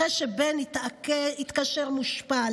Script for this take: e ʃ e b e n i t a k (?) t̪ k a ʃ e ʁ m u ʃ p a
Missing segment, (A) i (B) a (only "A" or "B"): A